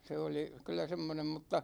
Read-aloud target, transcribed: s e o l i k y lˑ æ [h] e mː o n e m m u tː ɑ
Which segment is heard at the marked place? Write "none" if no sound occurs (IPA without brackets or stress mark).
s